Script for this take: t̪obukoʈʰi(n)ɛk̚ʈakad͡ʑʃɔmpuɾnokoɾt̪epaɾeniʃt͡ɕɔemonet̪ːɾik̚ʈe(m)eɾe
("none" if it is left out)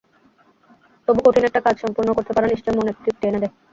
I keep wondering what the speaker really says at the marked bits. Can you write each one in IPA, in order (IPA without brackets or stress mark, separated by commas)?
n, n